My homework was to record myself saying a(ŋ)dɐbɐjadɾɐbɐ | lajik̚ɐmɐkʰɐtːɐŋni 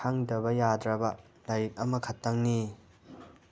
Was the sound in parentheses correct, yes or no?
yes